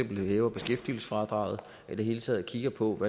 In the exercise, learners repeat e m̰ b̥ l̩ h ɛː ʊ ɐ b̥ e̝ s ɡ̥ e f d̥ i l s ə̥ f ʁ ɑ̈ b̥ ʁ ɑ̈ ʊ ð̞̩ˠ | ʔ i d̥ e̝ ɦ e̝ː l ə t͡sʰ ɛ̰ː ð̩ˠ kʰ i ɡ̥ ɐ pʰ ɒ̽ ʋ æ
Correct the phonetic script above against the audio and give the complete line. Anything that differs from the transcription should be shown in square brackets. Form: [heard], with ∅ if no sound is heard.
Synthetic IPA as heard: e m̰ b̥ l̩ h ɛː ʊ ɐ b̥ e̝ s ɡ̥ e f d̥ i l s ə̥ f ʁ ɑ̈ [d̥] ʁ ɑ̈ ʊ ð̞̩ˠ | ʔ i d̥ e̝ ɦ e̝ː l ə t͡sʰ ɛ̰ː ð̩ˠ kʰ i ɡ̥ ɐ pʰ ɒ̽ ʋ æ